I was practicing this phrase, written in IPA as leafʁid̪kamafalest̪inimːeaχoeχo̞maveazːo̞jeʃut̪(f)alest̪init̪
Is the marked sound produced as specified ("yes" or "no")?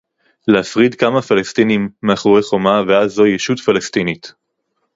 yes